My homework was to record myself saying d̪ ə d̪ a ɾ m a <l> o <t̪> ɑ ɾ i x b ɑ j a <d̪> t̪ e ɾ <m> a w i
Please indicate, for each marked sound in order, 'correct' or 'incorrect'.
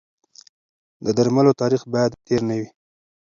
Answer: correct, correct, correct, incorrect: n

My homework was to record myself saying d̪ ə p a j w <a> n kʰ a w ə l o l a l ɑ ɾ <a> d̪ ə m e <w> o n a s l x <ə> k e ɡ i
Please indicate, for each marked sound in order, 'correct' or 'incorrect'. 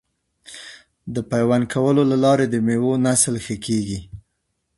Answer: correct, incorrect: e, correct, correct

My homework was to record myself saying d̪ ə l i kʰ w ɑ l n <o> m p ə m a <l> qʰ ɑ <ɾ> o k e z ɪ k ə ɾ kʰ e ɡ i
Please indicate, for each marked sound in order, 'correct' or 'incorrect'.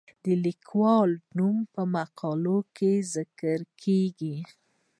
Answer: incorrect: u, incorrect: none, incorrect: l

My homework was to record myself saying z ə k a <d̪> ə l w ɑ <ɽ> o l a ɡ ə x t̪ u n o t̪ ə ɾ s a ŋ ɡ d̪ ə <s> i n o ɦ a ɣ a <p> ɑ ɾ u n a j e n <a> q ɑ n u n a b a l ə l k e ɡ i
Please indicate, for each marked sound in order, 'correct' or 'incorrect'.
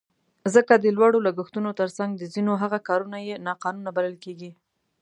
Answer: correct, correct, incorrect: z, incorrect: k, incorrect: ɑ

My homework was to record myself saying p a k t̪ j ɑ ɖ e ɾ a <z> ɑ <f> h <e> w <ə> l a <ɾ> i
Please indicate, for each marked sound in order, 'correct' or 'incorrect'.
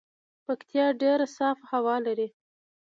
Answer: incorrect: s, correct, incorrect: a, incorrect: ɑ, correct

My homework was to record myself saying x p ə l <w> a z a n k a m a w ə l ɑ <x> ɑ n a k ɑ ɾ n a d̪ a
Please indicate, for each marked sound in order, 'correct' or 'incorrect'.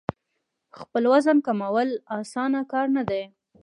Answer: correct, incorrect: s

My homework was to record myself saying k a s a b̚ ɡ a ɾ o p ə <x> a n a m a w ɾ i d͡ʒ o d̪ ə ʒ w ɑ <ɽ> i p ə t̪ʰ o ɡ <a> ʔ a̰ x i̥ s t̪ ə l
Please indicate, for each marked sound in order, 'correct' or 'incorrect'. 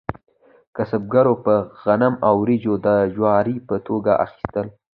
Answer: incorrect: ɣ, incorrect: ɾ, correct

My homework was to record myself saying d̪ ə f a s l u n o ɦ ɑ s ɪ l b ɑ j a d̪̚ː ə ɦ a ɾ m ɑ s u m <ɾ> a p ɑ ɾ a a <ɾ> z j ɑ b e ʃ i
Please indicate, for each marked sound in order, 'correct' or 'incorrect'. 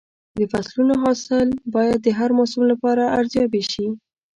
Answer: incorrect: l, correct

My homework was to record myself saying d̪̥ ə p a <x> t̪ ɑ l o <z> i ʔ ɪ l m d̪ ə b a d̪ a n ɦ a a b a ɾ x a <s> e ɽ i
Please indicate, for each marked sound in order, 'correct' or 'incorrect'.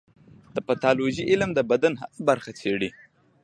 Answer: incorrect: none, incorrect: ʒ, incorrect: t͡s

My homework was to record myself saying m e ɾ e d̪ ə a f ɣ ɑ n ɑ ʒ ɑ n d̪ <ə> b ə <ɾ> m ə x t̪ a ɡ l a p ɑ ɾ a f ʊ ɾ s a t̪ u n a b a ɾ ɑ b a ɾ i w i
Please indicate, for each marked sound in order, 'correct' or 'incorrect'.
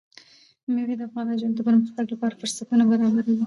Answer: correct, correct

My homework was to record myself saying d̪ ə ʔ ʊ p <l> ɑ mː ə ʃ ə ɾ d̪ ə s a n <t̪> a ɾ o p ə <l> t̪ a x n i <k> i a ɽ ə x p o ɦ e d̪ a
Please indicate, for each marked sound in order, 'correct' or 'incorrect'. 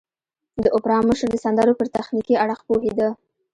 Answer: incorrect: ɾ, incorrect: d̪, incorrect: ɾ, correct

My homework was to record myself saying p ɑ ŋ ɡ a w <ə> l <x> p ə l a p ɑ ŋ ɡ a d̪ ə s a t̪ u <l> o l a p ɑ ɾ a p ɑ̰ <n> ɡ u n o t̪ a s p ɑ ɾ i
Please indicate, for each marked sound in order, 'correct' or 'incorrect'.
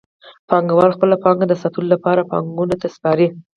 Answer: incorrect: ɑ, correct, correct, incorrect: ŋ

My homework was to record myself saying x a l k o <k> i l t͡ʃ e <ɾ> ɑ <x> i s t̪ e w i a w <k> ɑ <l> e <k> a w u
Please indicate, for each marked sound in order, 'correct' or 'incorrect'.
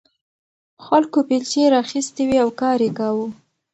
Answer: incorrect: p, correct, correct, correct, incorrect: ɾ, correct

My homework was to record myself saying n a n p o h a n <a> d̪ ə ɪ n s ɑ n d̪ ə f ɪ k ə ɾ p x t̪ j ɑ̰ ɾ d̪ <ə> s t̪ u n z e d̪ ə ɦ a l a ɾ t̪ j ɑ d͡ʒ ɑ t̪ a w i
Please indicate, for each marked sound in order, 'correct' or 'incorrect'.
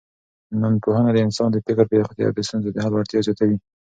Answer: correct, correct

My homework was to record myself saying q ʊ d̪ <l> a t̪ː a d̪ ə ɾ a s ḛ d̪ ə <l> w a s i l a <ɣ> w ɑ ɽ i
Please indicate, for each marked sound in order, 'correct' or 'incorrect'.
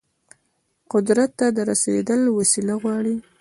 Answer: incorrect: ɾ, correct, correct

